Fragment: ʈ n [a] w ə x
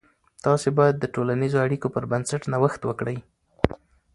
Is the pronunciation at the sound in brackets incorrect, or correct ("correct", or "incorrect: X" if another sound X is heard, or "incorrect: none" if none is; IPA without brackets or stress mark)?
correct